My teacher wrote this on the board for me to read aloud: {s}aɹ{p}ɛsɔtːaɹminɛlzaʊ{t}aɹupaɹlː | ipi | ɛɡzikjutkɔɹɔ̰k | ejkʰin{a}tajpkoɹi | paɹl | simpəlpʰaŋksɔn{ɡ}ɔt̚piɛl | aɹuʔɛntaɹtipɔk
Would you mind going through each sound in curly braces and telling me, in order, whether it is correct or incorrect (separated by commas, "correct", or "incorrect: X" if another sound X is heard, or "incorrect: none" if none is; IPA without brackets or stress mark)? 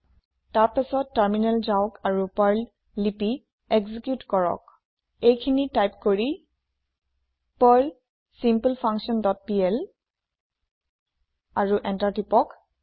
incorrect: t, correct, incorrect: k, incorrect: i, incorrect: d